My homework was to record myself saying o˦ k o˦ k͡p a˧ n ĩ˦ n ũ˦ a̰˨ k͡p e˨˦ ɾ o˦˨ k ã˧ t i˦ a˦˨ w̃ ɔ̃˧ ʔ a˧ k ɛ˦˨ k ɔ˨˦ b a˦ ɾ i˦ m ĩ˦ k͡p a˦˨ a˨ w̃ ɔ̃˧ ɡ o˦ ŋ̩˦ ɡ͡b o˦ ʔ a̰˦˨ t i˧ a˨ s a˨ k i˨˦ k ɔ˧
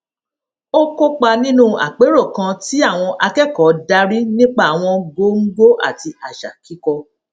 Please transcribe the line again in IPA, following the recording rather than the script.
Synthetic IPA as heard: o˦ k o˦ k͡p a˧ n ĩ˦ n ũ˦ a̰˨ k͡p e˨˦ ɾ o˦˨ k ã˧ t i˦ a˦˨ w̃ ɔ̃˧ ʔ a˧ k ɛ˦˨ k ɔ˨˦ d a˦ ɾ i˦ n ĩ˦ k͡p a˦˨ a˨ w̃ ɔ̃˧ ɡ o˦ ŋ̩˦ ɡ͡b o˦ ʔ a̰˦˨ t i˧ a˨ ʃ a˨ k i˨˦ k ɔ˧